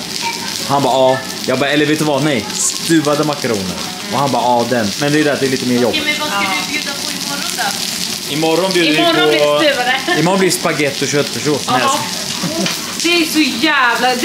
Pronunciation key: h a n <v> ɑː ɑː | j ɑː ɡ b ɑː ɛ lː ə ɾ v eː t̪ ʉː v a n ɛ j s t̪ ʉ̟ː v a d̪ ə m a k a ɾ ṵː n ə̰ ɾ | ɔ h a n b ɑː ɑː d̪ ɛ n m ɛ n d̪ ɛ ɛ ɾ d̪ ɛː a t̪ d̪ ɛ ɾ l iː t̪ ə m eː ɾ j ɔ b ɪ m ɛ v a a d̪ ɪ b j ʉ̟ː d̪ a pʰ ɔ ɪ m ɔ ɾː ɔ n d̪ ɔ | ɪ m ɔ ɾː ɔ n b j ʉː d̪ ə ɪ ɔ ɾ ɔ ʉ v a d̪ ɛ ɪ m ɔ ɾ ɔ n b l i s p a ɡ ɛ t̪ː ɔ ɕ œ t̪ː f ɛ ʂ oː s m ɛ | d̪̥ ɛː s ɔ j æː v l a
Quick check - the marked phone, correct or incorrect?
incorrect: b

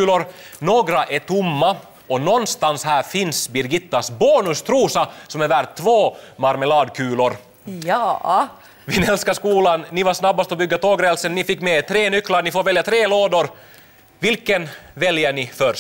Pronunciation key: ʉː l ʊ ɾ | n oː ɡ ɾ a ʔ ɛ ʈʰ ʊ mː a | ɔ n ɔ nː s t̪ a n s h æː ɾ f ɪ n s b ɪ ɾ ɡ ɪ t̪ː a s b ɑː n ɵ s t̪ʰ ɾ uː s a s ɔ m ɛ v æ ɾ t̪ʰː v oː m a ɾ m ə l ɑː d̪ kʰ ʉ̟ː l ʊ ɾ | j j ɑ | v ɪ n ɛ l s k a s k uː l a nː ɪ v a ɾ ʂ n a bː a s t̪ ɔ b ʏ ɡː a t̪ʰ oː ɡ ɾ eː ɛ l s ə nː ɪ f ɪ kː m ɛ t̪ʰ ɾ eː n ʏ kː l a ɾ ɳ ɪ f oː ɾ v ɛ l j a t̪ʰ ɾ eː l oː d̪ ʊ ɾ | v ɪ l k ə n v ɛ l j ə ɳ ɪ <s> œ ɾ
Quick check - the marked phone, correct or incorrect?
incorrect: f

